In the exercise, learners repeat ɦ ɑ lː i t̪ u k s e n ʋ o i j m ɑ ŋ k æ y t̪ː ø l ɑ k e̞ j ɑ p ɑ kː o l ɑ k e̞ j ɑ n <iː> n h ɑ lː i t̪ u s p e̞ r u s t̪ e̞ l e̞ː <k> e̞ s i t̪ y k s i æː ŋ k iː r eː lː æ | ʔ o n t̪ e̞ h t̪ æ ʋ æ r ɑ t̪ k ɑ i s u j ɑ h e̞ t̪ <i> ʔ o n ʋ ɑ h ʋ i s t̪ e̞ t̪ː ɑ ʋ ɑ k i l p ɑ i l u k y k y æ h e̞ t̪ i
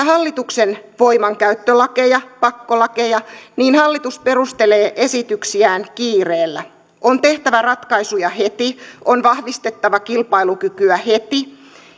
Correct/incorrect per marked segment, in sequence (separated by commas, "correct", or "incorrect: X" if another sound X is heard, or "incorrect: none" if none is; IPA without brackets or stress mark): correct, incorrect: ʔ, correct